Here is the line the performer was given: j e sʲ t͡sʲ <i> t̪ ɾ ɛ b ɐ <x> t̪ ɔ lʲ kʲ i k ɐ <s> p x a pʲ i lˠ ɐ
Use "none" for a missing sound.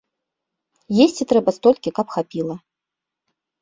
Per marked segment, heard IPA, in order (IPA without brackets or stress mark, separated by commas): i, s, none